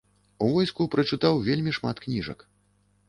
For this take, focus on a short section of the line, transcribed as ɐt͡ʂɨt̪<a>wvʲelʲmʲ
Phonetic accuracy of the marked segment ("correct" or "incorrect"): correct